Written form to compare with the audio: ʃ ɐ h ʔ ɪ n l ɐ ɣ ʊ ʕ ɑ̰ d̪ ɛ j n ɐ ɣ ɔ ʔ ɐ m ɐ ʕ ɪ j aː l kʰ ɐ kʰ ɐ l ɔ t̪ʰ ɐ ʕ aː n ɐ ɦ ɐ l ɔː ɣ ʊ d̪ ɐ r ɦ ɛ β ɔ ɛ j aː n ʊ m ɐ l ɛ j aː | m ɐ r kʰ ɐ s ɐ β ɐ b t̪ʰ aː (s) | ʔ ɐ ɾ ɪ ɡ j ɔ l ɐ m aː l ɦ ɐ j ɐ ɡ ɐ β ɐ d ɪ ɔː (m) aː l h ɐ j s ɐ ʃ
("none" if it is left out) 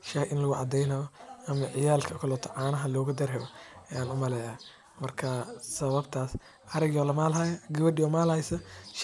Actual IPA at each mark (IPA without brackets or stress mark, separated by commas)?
s, m